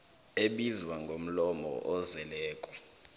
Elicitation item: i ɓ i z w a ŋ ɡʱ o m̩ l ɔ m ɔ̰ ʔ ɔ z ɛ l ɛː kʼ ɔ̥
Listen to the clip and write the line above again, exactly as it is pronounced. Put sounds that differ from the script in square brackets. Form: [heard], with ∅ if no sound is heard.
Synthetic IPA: [e] ɓ i z w a ŋ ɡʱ o m̩ l ɔ m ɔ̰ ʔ ɔ z ɛ l ɛː kʼ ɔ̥